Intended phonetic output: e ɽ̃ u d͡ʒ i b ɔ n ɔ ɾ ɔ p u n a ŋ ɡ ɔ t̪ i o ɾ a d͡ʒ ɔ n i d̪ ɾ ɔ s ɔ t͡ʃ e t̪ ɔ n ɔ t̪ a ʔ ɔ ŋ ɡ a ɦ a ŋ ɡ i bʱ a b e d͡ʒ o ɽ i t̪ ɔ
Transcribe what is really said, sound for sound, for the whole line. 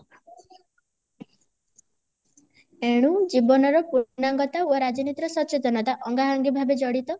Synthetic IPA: e ɽ̃ u d͡ʒ i b ɔ n ɔ ɾ ɔ p u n a ŋ ɡ ɔ t̪ a o ɾ a d͡ʒ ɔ n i t̪ ɾ ɔ s ɔ t͡ʃ e t̪ ɔ n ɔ t̪ a ʔ ɔ ŋ ɡ a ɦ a ŋ ɡ i bʱ a b e d͡ʒ ɔ ɽ i t̪ ɔ